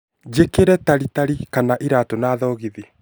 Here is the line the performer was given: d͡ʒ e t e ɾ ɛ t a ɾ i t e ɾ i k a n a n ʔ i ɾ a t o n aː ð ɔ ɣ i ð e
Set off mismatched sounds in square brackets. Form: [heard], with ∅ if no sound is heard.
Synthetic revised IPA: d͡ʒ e [k] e ɾ ɛ t a ɾ i t [a] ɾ i k a n a [∅] ʔ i ɾ a t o n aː ð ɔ ɣ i ð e